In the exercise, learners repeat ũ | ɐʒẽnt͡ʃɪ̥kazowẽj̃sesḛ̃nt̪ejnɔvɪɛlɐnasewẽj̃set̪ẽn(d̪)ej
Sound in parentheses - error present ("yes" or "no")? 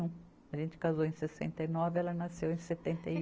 yes